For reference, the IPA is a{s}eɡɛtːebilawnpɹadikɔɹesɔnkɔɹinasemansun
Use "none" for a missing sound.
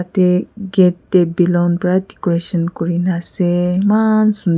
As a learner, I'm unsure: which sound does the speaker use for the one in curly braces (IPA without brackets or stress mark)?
t